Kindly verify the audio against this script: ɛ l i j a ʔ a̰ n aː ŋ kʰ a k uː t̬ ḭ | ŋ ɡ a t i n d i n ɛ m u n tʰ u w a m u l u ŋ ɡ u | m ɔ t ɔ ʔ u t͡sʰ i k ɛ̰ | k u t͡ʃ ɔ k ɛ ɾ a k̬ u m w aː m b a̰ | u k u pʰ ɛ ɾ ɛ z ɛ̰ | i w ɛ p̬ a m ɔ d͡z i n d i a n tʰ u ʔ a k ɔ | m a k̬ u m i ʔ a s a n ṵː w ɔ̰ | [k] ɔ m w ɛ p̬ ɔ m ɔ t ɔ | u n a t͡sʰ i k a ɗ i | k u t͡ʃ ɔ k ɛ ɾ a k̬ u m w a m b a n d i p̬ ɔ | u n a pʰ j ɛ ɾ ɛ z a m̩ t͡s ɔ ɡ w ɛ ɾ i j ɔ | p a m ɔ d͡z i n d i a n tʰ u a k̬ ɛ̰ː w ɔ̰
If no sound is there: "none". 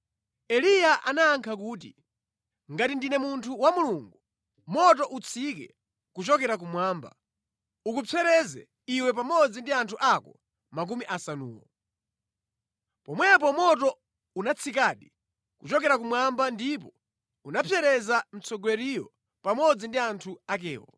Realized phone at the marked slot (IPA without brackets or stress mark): p